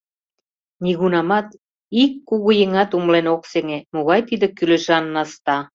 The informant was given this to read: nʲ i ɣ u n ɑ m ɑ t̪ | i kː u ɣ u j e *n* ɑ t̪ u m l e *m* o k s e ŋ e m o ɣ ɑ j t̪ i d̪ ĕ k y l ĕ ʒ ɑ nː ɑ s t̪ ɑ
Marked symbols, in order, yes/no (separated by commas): no, no